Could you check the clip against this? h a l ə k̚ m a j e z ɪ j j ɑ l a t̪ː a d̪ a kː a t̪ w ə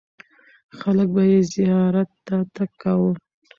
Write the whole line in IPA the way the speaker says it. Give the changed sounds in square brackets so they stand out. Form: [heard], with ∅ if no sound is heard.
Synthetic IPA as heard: [x] a l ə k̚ [b] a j e z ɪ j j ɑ [ɾ] a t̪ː a [t̪] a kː a [∅] w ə